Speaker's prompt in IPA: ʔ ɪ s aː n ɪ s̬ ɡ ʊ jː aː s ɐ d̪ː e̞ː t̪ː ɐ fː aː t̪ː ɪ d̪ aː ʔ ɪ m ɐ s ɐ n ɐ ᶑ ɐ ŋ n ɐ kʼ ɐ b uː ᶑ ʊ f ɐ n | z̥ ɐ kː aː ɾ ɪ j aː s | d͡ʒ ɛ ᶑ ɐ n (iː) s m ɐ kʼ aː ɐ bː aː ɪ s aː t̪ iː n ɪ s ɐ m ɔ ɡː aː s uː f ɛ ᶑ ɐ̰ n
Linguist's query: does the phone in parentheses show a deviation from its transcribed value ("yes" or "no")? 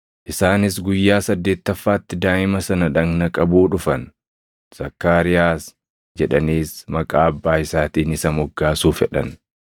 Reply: no